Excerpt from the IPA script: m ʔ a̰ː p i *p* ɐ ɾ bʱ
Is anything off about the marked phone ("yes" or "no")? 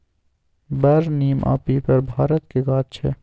no